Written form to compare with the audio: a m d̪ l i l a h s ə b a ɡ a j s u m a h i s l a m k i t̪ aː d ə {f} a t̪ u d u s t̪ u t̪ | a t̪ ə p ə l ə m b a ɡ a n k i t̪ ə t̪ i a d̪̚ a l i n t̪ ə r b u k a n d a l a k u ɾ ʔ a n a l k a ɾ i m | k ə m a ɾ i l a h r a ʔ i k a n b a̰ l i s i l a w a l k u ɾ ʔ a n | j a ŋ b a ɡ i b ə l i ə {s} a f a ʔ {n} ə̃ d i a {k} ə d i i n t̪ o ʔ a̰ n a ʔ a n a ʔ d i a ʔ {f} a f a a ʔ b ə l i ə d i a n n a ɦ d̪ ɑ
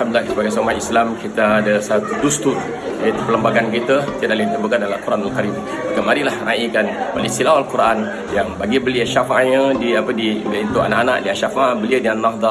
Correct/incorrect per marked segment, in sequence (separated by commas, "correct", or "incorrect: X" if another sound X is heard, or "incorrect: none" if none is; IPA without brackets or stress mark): incorrect: s, incorrect: ʃ, incorrect: ɲ, incorrect: p, incorrect: ʃ